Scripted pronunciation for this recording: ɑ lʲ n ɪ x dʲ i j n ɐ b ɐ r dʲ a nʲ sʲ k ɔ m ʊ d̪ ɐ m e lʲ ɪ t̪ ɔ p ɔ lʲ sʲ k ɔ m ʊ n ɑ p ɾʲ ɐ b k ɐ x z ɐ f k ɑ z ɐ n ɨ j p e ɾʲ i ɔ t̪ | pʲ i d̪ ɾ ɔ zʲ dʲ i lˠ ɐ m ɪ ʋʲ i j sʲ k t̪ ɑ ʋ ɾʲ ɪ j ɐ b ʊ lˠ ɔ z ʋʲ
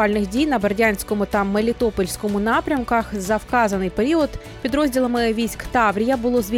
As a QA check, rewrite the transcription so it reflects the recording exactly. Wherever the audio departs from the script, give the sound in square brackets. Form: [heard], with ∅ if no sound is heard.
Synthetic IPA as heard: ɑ lʲ n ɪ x dʲ i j n ɐ b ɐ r dʲ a nʲ sʲ k ɔ m ʊ [t̪] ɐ m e lʲ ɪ t̪ ɔ p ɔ lʲ sʲ k ɔ m ʊ n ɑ p ɾʲ ɐ [m] k ɐ x z ɐ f k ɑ z ɐ n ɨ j p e ɾʲ i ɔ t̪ | pʲ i d̪ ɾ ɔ zʲ dʲ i lˠ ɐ m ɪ ʋʲ i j sʲ k t̪ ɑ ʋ ɾʲ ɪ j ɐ b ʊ lˠ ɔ z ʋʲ